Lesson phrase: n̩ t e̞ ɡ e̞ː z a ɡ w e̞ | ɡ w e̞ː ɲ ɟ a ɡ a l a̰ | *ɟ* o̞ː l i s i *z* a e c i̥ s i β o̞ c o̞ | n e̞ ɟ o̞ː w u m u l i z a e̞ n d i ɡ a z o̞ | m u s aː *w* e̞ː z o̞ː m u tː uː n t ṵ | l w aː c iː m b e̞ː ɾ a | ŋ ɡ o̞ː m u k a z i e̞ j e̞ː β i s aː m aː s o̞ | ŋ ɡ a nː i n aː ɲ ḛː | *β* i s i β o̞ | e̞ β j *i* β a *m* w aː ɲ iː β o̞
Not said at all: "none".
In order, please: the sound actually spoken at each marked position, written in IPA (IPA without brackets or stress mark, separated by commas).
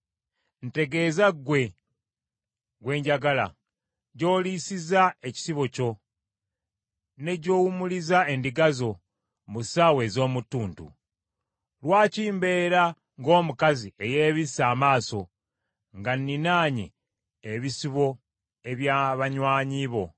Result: ɟ, z, w, β, a, ɲ